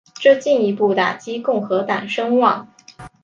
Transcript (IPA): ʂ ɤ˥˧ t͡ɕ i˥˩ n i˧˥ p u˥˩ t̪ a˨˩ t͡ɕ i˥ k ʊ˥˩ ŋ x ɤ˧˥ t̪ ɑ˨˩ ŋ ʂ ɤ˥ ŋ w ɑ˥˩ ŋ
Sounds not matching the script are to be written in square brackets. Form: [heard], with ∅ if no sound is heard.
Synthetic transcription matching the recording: [ʈ͡ʂ] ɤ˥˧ t͡ɕ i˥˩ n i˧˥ p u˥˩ t̪ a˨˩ t͡ɕ i˥ k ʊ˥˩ ŋ x ɤ˧˥ t̪ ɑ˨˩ ŋ ʂ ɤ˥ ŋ w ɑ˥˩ ŋ